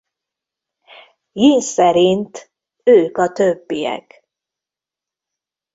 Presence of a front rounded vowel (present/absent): present